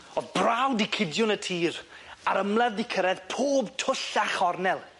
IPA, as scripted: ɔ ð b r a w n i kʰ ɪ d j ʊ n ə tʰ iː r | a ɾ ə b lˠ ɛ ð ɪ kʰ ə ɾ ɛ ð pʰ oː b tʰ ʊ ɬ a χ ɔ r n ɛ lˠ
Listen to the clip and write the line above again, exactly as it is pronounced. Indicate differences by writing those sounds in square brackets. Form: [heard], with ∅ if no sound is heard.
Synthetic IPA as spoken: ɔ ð b r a w [d] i kʰ ɪ d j ʊ n ə tʰ iː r | a ɾ ə [m] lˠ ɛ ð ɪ kʰ ə ɾ ɛ ð pʰ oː b tʰ ʊ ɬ a χ ɔ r n ɛ lˠ